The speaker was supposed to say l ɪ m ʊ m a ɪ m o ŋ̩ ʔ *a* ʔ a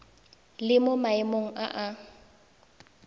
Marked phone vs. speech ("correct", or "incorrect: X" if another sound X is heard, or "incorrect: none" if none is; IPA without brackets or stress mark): correct